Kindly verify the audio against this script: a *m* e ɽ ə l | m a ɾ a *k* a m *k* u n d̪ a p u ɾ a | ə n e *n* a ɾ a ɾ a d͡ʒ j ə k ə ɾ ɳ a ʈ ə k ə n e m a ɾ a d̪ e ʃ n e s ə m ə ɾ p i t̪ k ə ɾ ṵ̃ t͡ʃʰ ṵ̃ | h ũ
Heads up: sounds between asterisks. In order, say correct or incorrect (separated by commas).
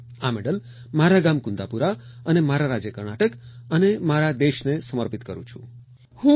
correct, incorrect, correct, incorrect